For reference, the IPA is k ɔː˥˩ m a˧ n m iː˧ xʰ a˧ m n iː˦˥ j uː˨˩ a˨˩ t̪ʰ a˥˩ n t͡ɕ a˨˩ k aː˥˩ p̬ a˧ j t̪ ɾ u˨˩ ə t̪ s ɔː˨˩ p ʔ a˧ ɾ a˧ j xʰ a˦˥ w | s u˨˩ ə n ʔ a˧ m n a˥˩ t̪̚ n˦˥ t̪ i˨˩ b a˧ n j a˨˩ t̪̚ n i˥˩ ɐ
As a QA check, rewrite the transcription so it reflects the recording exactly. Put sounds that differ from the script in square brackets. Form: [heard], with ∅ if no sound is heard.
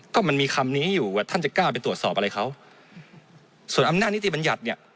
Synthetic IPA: k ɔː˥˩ m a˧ n m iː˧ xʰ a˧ m n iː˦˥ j uː˨˩ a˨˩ t̪ʰ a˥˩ n t͡ɕ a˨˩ k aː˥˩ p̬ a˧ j t̪ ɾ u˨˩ ə t̪ s ɔː˨˩ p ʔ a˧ ɾ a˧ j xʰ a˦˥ w | s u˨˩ ə n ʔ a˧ m n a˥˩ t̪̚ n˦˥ t̪ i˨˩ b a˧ n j a˨˩ t̪̚ n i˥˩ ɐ